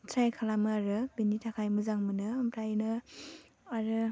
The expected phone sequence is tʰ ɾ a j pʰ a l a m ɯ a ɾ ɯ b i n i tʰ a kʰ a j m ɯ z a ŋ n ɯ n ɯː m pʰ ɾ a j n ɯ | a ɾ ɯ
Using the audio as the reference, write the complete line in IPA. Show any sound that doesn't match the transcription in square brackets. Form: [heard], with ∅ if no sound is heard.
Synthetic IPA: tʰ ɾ a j [kʰ] a l a m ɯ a ɾ ɯ b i n i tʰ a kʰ a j m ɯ z a ŋ [m] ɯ n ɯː m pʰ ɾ a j n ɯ | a ɾ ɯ